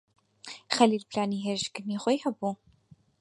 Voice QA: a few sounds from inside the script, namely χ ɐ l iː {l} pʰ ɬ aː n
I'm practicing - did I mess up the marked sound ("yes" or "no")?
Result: no